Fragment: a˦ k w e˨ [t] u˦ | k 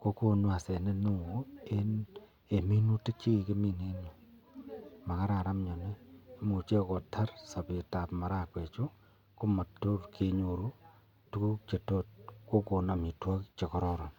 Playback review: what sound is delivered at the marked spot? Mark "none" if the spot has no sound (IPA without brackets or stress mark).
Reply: t͡ʃ